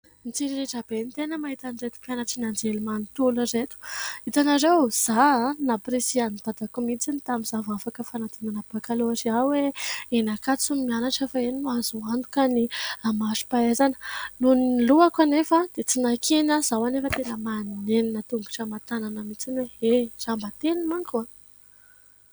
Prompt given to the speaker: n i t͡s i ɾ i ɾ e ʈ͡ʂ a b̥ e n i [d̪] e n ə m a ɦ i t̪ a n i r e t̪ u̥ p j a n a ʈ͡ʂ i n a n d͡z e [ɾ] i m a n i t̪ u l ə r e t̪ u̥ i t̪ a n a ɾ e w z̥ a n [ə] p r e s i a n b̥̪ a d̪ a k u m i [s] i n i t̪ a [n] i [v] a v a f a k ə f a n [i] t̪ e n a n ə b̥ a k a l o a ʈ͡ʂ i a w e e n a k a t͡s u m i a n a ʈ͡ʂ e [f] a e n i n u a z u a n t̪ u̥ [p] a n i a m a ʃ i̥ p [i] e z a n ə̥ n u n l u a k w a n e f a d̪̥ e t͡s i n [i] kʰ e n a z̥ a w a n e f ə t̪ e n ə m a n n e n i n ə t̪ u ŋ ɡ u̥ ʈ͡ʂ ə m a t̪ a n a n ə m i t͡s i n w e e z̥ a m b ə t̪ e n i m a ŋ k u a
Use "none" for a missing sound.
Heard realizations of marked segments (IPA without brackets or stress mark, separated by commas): t̪, l, a, t͡s, m, z, a, f, k, a, a